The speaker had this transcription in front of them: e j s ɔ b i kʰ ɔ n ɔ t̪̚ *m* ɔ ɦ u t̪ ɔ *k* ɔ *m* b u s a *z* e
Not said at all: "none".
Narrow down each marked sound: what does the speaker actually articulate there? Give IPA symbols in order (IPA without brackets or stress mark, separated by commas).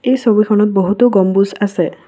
b, ɡ, m, s